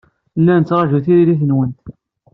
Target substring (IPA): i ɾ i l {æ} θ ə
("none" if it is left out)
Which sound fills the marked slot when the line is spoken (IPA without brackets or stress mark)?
i